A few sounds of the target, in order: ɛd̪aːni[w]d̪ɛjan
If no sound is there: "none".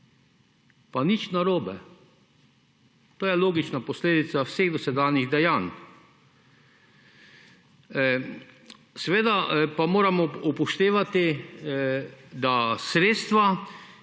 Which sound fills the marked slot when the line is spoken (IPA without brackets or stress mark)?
ɣ